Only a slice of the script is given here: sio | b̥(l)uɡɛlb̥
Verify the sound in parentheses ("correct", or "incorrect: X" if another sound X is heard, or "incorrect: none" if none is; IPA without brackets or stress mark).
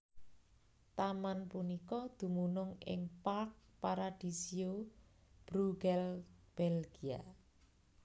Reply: incorrect: ɾ